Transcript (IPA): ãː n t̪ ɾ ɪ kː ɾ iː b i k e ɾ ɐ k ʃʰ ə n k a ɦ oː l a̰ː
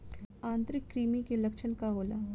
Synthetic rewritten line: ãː n t̪ ɾ ɪ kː ɾ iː m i k e l ɐ k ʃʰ ə n k a ɦ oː l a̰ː